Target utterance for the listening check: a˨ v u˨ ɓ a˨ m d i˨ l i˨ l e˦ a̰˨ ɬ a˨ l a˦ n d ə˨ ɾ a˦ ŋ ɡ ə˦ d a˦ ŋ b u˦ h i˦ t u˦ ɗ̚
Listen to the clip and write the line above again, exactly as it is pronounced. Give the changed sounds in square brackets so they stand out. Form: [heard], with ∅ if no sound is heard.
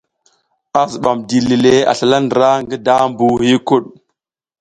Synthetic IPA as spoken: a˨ [z] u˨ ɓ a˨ m d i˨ l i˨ l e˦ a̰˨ ɬ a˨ l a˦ n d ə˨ ɾ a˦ ŋ ɡ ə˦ d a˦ [m] b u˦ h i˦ [k] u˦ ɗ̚